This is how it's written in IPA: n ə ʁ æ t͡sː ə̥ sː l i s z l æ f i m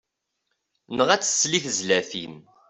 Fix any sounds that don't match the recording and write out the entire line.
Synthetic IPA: n ə ʁ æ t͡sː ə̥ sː l i θ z l æ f i m